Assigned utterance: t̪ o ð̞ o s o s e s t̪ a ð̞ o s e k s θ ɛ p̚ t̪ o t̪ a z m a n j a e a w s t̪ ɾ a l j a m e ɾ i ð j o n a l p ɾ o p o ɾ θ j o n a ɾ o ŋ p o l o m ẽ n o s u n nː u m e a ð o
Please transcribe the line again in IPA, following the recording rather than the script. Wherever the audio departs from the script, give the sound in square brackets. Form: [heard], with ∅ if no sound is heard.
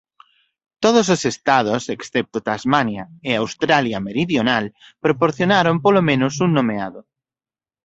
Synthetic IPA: t̪ o ð̞ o s o s e s t̪ a ð̞ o s e k s θ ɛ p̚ t̪ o t̪ a z m a n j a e a w s t̪ ɾ a l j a m e ɾ i ð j o n a l p ɾ o p o ɾ θ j o n a ɾ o [m] p o l o m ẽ n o s u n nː [o] m e a ð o